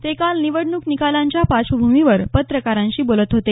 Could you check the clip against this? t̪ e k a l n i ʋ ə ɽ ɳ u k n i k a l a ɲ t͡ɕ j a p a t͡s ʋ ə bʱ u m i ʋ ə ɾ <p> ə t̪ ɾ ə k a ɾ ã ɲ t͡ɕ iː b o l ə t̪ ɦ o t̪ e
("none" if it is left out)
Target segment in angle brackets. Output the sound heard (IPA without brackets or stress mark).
p